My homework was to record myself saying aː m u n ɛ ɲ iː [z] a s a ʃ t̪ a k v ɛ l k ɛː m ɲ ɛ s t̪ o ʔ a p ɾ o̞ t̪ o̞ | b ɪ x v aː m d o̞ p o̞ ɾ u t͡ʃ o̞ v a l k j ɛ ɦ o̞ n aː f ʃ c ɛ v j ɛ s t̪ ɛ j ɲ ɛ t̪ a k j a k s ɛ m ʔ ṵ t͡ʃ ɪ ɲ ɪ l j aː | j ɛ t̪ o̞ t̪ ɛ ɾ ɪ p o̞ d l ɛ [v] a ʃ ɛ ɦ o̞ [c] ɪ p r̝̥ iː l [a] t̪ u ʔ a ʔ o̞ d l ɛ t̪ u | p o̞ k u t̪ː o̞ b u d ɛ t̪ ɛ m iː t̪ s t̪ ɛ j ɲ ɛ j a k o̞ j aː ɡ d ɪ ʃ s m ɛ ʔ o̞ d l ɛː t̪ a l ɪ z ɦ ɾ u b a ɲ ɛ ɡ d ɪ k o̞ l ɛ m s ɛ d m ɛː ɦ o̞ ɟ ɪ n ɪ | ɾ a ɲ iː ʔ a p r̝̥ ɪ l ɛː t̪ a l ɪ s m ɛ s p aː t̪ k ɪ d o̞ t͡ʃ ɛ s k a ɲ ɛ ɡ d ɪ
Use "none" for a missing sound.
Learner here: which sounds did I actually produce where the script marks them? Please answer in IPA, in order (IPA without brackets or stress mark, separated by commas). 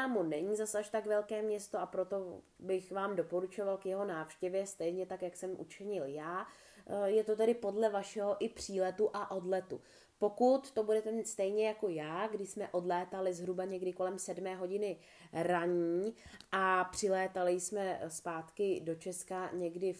z, v, ʔ, ɛ